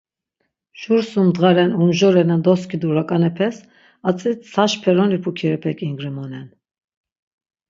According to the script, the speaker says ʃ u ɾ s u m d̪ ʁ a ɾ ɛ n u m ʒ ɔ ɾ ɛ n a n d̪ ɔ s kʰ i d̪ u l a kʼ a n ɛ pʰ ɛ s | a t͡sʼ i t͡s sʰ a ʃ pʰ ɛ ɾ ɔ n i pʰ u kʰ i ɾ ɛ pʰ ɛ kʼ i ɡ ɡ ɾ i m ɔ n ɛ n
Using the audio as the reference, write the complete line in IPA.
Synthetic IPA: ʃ u ɾ s u m d̪ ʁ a ɾ ɛ n u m ʒ ɔ ɾ ɛ n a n d̪ ɔ s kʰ i d̪ u ɾ a kʼ a n ɛ pʰ ɛ s | a t͡sʼ i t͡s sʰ a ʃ pʰ ɛ ɾ ɔ n i pʰ u kʰ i ɾ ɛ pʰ ɛ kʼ i ŋ ɡ ɾ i m ɔ n ɛ n